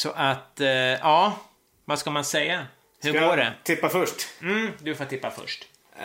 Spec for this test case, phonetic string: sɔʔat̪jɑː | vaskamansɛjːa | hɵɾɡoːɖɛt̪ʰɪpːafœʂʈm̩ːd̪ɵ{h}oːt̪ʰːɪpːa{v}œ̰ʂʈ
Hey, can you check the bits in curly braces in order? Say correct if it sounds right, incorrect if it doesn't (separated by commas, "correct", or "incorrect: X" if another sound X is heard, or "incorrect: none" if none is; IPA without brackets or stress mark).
incorrect: f, incorrect: f